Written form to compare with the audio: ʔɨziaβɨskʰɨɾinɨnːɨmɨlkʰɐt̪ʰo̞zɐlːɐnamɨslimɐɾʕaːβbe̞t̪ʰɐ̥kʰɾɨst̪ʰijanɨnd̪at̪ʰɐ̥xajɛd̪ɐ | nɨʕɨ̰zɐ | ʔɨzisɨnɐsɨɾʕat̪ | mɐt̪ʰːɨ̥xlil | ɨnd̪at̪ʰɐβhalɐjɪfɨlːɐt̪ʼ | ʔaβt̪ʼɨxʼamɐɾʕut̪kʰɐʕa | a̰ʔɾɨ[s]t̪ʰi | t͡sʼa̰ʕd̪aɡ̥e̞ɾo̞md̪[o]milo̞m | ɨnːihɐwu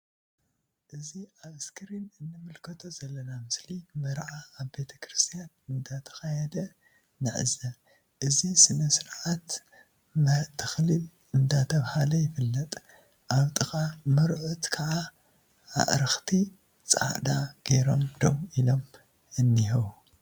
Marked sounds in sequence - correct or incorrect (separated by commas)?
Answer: incorrect, correct